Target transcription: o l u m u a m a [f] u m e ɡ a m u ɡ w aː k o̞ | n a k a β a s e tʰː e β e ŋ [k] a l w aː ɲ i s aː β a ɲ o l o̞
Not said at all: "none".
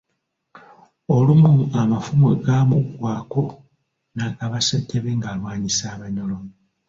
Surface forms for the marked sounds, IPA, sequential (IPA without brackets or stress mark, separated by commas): f, ɡ